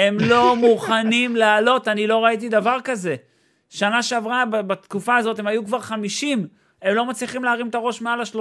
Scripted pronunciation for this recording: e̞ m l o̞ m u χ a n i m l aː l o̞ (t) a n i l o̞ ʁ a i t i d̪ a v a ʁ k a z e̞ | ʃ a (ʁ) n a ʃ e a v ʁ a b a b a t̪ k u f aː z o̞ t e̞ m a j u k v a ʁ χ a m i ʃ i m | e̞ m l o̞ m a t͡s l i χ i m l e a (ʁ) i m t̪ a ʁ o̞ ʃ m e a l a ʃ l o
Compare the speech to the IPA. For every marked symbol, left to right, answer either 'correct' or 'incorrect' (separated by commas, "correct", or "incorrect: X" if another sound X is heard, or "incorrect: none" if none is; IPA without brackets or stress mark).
correct, incorrect: none, correct